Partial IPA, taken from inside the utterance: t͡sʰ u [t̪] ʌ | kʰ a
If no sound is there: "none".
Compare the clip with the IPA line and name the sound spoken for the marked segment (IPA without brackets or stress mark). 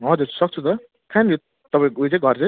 t̪